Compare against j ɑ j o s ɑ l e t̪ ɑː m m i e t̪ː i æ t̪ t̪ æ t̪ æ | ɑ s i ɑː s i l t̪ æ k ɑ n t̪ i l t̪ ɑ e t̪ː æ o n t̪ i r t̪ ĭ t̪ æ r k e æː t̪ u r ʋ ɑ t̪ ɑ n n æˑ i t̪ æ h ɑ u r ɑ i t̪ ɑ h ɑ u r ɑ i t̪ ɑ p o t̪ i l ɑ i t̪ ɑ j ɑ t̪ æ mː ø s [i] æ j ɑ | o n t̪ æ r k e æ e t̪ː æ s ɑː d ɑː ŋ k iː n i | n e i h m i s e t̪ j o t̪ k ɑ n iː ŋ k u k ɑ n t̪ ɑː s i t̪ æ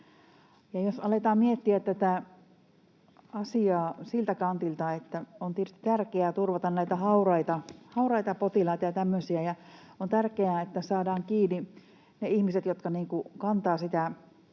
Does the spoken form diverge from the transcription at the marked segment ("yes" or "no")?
no